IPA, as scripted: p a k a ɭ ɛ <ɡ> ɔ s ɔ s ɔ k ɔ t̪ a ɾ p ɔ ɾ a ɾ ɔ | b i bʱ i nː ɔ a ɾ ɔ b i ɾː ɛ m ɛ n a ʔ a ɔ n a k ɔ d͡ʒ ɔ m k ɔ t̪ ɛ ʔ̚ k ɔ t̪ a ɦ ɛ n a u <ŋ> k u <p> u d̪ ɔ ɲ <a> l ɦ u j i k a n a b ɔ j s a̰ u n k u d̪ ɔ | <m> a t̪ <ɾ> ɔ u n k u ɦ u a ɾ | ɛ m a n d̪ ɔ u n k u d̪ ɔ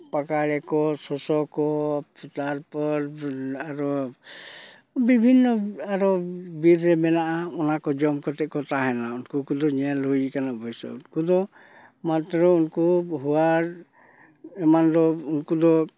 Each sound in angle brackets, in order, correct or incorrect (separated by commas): incorrect, incorrect, incorrect, incorrect, correct, correct